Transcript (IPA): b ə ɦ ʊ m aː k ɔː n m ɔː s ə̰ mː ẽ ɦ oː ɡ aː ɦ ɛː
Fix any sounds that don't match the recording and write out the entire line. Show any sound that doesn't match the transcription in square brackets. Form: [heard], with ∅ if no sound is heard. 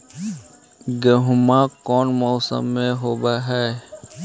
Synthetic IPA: [ɡ] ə ɦ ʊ m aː k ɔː n m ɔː s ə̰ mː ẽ ɦ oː [b] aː ɦ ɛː